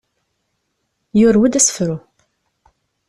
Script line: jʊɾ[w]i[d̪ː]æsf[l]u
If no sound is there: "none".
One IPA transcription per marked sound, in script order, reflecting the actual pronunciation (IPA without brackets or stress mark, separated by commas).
w, d̪, ɾ